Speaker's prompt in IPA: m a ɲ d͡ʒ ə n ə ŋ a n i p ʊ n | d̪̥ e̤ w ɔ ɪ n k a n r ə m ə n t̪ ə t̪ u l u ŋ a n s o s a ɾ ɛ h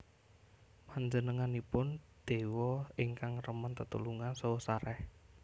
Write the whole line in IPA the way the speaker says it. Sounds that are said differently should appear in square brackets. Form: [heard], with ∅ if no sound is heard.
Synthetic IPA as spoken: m a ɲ d͡ʒ ə n ə ŋ a n i p ʊ n | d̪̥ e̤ w ɔ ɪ [ŋ] k a [ŋ] r ə m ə n t̪ ə t̪ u l u ŋ a n s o s a ɾ ɛ h